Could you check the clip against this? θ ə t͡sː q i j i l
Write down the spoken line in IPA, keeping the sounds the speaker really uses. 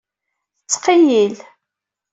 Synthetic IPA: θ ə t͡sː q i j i l